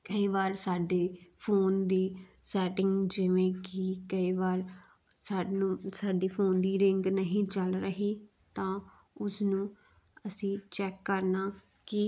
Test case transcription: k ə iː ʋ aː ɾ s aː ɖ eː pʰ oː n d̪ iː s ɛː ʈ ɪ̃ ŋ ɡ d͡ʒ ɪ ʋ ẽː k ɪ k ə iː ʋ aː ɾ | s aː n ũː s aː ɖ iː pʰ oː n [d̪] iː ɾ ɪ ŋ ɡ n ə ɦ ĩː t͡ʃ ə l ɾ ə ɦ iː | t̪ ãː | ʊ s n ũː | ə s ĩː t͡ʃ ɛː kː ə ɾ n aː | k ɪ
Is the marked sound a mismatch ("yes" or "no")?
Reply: no